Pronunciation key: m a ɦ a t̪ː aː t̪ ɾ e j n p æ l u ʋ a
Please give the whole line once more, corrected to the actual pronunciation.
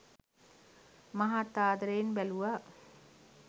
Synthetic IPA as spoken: m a ɦ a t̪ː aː d̪ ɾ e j n b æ l u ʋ a